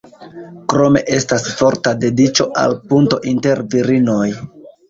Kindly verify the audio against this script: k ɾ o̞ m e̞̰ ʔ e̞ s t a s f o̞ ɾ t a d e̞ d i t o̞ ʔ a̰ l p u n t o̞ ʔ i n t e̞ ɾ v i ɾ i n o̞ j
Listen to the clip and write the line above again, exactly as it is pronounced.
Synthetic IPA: k ɾ o̞ m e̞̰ ʔ e̞ s t a s f o̞ ɾ t a d e̞ d i t͡ʃ o̞ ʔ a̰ l p u n t o̞ ʔ i n t e̞ ɾ v i ɾ i n o̞ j